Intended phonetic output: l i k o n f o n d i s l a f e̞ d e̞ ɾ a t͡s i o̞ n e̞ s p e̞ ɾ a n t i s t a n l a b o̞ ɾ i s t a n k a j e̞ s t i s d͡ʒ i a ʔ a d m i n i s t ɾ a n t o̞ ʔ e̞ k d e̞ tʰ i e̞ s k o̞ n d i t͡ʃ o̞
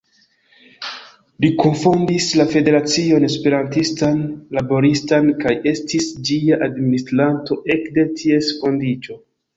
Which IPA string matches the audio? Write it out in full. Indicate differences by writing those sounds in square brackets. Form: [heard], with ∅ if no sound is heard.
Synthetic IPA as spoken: l i k o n f o n d i s l a f e̞ d e̞ ɾ a t͡s i o̞ n e̞ s p e̞ ɾ a n t i s t a n l a b o̞ ɾ i s t a n k a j e̞ s t i s d͡ʒ i a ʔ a d m i n i s t ɾ a n t o̞ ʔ e̞ k d e̞ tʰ i e̞ s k o̞ n d i t͡ʃ o̞